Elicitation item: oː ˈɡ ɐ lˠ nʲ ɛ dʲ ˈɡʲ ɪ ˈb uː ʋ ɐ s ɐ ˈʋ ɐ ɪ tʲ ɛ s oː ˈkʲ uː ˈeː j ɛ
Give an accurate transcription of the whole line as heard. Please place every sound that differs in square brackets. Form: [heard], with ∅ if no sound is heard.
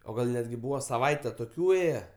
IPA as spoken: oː ˈɡ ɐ lˠ nʲ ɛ dʲ ˈɡʲ ɪ ˈb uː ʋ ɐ s ɐ ˈʋ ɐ ɪ tʲ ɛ [t] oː ˈkʲ uː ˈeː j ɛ

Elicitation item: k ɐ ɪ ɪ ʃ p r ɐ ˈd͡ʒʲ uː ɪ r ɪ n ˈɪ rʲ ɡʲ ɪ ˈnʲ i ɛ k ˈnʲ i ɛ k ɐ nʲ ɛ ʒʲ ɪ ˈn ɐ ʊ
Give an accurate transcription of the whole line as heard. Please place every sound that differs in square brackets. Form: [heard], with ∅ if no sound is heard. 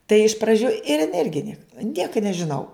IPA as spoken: [t] ɐ ɪ ɪ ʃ p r ɐ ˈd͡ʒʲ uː ɪ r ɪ n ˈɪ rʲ ɡʲ ɪ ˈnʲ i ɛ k ˈnʲ i ɛ k ɐ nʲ ɛ ʒʲ ɪ ˈn ɐ ʊ

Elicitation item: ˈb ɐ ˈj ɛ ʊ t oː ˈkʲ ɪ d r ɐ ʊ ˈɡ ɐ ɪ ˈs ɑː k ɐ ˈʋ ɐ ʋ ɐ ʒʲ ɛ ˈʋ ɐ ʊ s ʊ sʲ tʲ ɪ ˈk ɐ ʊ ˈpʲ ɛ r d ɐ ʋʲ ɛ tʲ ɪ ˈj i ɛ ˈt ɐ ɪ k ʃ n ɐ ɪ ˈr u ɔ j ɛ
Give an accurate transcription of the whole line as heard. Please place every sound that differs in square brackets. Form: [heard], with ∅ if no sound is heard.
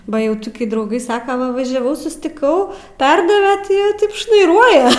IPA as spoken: ˈb ɐ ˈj ɛ ʊ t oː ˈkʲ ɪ d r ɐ ʊ ˈɡ ɐ ɪ ˈs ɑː k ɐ ˈʋ ɐ ʋ ɐ ʒʲ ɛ ˈʋ ɐ ʊ s ʊ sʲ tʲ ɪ ˈk ɐ ʊ ˈpʲ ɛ r d ɐ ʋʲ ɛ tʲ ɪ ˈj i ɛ ˈt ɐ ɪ [p] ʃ n ɐ ɪ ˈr u ɔ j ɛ

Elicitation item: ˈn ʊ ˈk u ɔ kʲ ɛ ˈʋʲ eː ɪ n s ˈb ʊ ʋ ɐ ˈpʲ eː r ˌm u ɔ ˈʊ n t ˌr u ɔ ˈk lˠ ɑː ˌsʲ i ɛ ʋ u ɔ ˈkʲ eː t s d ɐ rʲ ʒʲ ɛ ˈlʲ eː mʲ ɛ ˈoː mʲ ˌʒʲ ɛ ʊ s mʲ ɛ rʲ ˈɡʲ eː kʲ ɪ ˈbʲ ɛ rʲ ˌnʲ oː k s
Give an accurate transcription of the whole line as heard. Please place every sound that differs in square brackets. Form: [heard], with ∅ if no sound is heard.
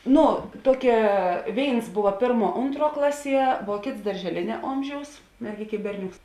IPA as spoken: ˈn ʊ [ˈt] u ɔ kʲ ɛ ˈʋʲ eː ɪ n s ˈb ʊ ʋ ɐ ˈpʲ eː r ˌm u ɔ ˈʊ n t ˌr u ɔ ˈk lˠ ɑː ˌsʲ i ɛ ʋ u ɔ ˈkʲ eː t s d ɐ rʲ ʒʲ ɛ ˈlʲ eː [nʲ] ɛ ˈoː mʲ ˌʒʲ ɛ ʊ s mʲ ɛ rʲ ˈɡʲ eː kʲ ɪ ˈbʲ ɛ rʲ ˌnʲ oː k s

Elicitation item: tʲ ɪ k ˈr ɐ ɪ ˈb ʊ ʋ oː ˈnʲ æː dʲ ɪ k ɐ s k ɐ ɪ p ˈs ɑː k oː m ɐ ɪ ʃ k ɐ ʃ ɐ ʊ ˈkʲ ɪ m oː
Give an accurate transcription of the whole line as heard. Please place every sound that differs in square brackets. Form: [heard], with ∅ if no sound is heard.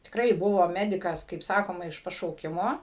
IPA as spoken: tʲ ɪ k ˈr ɐ ɪ ˈb ʊ ʋ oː [ˈmʲ] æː dʲ ɪ k ɐ s k ɐ ɪ p ˈs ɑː k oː m ɐ ɪ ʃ [p] ɐ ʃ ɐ ʊ ˈkʲ ɪ m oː

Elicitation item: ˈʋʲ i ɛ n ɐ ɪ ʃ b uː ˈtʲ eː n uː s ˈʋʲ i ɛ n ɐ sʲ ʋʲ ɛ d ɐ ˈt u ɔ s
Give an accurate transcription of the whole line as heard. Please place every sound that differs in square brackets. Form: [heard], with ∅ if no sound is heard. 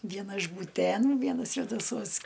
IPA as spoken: ˈʋʲ i ɛ n ɐ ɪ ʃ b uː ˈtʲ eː n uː [∅] ˈʋʲ i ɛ n ɐ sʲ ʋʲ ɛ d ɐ [ˈs] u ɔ s

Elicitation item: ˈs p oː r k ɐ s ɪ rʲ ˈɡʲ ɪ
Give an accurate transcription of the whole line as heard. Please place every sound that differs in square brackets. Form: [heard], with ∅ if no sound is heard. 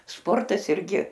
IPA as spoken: ˈs p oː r [t] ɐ s ɪ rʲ ˈɡʲ ɪ

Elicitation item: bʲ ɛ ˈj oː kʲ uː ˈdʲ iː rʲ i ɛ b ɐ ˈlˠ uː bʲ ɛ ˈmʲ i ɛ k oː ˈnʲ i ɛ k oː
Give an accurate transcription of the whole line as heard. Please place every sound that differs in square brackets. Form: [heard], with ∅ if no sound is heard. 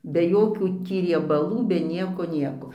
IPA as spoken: bʲ ɛ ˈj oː kʲ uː [ˈtʲ] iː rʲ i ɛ b ɐ ˈlˠ uː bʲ ɛ [ˈnʲ] i ɛ k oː ˈnʲ i ɛ k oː

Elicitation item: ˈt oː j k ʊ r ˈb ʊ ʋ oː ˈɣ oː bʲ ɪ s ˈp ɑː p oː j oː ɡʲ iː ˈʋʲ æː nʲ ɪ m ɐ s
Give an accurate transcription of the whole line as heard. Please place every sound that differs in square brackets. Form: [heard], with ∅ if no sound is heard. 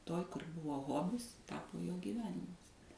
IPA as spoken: ˈt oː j k ʊ r ˈb ʊ ʋ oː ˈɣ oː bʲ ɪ s [ˈt] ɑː p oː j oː ɡʲ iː ˈʋʲ æː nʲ ɪ m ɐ s

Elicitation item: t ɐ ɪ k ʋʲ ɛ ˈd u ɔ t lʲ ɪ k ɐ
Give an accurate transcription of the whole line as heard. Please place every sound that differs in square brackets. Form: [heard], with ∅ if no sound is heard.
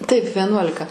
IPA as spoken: t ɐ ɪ [p] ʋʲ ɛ [ˈn] u ɔ [∅] lʲ ɪ k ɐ

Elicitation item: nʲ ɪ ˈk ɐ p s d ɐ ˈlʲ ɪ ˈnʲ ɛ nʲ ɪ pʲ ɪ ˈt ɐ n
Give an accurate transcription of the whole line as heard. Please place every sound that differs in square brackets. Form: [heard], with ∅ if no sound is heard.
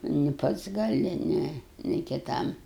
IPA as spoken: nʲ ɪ [ˈp] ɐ [t] s [ɡ] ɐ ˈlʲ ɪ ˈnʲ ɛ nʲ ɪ [kʲ] ɪ ˈt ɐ [m]

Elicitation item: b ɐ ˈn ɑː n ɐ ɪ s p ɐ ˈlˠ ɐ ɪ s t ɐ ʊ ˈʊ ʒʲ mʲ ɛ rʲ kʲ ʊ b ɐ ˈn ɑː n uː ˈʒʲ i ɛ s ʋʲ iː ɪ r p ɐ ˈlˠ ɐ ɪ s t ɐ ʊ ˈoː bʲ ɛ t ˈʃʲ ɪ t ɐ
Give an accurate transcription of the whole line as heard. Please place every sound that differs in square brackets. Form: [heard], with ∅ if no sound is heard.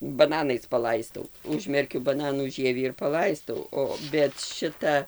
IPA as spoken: b ɐ ˈn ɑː n ɐ ɪ s p ɐ ˈlˠ ɐ ɪ s t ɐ ʊ ˈʊ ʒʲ mʲ ɛ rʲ kʲ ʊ b ɐ ˈn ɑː n uː ˈʒʲ i ɛ [∅] ʋʲ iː ɪ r p ɐ ˈlˠ ɐ ɪ s t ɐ ʊ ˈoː bʲ ɛ t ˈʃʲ ɪ t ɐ

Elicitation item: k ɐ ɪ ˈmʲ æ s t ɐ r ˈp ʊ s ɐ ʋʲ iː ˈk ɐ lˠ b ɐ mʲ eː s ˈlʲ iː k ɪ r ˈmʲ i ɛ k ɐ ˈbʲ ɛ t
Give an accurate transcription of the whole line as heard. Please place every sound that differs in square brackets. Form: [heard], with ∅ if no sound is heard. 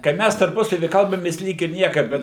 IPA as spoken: k ɐ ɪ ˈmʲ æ s t ɐ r ˈp ʊ s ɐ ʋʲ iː ˈk ɐ lˠ b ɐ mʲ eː s ˈlʲ iː k ɪ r [ˈnʲ] i ɛ k ɐ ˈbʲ ɛ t

